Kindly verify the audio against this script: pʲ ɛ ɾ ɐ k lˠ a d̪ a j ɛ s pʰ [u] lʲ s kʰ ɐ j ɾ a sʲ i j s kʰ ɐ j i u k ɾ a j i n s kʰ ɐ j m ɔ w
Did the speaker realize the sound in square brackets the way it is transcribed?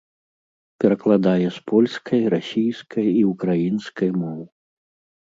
no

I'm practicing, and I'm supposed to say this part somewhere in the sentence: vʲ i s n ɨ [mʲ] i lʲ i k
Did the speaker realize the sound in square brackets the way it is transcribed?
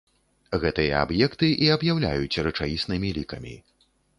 yes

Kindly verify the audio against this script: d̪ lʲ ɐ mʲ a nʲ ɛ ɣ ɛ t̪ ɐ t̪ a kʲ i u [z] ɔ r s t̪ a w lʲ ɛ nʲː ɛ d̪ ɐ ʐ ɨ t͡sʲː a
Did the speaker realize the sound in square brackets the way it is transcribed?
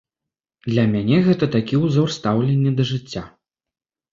yes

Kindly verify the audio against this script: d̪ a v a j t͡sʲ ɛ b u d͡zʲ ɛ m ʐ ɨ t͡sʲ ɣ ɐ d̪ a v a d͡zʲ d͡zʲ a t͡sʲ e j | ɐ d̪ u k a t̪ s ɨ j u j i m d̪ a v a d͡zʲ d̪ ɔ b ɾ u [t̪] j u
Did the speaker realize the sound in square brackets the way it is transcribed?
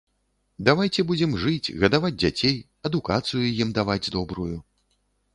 no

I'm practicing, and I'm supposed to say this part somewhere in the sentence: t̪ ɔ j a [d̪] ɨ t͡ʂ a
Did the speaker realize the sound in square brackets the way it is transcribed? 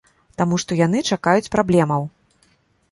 no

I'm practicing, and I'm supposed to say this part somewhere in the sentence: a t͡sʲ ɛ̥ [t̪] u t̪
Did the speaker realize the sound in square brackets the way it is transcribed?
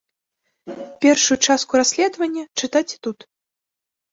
yes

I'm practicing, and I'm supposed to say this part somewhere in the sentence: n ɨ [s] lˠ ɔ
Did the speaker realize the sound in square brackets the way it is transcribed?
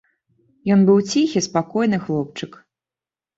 no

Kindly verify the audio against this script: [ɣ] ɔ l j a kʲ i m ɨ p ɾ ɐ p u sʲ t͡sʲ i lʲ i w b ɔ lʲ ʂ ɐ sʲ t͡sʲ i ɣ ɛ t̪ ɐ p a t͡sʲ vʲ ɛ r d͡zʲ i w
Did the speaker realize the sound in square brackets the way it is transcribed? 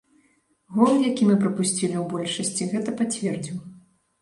yes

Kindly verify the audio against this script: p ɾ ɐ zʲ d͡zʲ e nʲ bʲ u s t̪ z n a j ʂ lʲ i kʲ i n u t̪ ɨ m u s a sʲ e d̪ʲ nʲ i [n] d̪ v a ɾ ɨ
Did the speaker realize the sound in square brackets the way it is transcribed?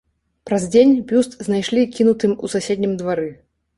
no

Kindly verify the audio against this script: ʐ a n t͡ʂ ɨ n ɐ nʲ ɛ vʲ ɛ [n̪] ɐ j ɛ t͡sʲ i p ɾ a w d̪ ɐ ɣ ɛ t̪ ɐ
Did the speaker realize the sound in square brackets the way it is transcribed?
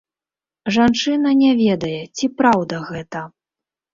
no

